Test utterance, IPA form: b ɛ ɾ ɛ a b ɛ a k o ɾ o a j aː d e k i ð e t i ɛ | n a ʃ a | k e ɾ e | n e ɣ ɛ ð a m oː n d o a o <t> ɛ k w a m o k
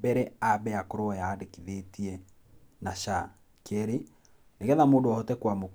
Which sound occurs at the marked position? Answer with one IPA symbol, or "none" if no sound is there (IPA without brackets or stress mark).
t